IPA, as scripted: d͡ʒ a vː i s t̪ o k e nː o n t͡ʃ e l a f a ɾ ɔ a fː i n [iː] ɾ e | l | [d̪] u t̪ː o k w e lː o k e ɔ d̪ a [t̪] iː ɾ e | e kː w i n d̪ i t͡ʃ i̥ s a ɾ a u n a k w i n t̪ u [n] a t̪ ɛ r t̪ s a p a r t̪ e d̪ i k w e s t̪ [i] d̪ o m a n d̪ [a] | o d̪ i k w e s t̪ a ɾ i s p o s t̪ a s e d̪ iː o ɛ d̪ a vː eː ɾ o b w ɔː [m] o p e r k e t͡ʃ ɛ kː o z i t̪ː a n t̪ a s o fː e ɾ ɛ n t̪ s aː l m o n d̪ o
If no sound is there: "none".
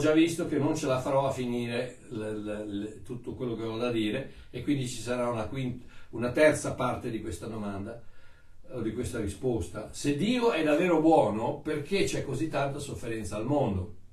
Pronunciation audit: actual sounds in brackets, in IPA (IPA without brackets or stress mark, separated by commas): iː, t̪, d̪, n, a, a, n